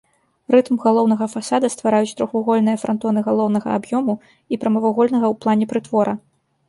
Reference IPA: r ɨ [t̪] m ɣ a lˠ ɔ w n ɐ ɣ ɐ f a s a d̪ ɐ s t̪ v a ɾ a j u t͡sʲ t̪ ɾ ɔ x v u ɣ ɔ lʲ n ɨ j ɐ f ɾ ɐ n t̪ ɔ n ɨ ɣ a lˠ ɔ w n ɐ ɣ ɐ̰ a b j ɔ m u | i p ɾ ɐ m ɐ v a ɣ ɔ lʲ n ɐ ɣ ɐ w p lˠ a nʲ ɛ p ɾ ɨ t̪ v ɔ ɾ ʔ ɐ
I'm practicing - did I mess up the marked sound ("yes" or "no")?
no